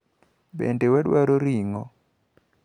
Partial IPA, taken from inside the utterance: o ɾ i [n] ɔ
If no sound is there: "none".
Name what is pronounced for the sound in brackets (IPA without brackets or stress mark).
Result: ŋ